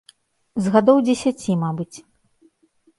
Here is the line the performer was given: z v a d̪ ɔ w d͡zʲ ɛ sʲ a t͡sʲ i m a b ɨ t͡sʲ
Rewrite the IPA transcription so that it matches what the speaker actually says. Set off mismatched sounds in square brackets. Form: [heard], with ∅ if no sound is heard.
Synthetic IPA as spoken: z [ɣ] a d̪ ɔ w d͡zʲ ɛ sʲ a t͡sʲ i m a b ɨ t͡sʲ